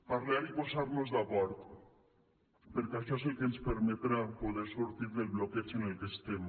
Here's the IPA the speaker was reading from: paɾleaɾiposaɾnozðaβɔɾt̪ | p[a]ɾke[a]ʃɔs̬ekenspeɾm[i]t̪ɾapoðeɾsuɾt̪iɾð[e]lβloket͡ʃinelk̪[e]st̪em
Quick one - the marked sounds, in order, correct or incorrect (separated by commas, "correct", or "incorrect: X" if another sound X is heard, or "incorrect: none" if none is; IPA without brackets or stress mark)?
incorrect: e, correct, incorrect: e, correct, correct